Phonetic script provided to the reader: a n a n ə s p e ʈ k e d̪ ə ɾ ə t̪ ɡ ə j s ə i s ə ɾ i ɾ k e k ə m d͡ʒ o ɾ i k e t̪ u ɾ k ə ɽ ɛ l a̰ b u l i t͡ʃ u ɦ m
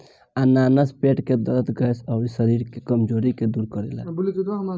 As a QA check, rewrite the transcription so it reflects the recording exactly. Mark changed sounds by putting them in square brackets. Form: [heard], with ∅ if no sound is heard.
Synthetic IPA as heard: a n a n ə s p e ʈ k e d̪ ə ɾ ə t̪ ɡ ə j s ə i s ə ɾ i ɾ k e k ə m d͡ʒ o ɾ i k e [d̪] u ɾ k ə [ɾ] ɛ l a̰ b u l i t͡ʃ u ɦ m